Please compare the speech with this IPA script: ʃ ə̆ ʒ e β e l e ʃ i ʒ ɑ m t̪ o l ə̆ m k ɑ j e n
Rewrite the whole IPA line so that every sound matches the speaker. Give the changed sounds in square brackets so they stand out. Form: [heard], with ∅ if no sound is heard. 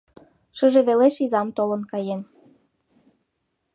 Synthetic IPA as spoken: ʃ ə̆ ʒ e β e l e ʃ i [z] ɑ m t̪ o l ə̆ [n] k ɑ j e n